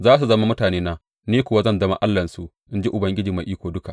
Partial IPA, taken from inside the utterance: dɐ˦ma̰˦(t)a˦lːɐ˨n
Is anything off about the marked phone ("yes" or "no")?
yes